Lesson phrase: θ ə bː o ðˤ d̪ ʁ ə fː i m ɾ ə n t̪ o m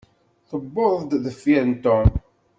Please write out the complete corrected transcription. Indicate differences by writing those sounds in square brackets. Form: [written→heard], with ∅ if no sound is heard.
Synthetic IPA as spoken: θ ə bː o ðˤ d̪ [ʁ→ð] ə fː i [m→∅] ɾ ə n t̪ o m